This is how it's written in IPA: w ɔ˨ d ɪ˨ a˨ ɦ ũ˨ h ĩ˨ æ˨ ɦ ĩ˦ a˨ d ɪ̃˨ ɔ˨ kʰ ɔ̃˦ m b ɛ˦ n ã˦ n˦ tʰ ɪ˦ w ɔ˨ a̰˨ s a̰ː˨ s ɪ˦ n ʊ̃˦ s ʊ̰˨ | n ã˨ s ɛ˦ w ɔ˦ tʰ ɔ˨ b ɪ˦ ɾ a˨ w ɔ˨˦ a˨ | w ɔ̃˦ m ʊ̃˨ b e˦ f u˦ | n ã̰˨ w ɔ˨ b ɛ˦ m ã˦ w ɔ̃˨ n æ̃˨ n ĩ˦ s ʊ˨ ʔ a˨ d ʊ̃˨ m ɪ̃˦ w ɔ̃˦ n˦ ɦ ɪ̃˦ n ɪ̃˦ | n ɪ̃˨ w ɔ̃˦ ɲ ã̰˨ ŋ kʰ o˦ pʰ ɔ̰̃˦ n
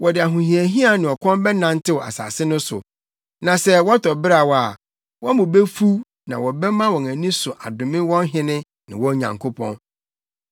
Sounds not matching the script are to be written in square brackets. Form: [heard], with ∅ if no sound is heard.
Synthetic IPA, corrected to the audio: w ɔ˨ d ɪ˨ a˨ ɦ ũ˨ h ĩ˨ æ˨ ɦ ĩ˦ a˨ [n] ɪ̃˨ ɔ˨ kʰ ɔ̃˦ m b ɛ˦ n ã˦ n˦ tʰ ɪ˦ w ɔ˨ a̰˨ s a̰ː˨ s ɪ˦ n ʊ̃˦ s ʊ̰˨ | n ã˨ s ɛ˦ w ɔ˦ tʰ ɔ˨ b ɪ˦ ɾ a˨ w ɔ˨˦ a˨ | w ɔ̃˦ m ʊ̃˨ b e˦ f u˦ | n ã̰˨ w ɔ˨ b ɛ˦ m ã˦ w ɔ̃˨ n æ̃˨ n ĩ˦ s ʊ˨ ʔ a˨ d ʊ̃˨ m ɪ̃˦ w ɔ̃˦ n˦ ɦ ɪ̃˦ n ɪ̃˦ | n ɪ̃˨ w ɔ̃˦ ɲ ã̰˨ ŋ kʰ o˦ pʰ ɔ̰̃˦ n